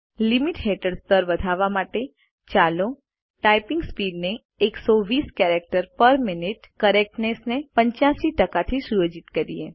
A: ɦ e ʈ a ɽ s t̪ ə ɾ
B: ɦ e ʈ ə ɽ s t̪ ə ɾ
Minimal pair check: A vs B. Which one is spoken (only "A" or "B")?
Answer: B